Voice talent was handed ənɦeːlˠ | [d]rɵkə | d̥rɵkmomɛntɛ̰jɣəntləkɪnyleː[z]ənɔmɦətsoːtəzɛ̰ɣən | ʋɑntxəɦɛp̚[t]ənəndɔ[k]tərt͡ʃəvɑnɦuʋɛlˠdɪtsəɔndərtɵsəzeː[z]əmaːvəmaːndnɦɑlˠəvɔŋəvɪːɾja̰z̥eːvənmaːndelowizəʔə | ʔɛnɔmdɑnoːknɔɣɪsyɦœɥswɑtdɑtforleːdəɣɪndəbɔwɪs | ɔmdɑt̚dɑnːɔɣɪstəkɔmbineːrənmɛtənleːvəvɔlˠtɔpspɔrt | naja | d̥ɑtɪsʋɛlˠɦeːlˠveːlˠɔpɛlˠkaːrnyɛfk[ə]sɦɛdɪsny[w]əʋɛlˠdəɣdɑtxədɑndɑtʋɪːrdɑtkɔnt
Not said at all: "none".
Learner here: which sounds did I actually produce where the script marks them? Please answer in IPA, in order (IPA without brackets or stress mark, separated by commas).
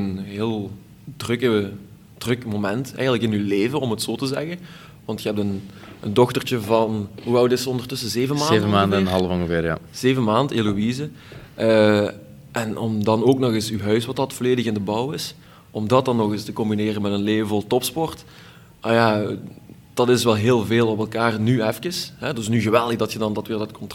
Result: d, v, t, x, v, ə, ɣ